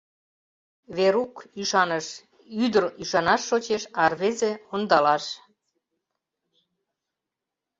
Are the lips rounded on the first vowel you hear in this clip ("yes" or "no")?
no